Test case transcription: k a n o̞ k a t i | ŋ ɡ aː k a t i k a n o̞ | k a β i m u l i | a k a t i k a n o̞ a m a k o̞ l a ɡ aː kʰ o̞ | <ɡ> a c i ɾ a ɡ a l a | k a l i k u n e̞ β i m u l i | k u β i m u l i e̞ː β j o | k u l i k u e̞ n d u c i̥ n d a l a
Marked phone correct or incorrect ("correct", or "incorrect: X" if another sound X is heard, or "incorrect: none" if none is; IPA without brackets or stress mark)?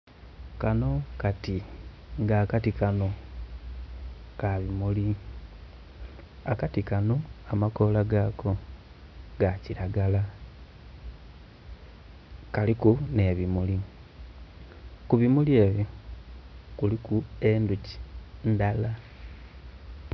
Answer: correct